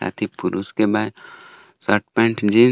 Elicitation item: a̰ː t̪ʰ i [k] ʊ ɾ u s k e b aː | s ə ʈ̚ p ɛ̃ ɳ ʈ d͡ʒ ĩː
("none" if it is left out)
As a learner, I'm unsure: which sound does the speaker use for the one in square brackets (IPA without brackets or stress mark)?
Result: p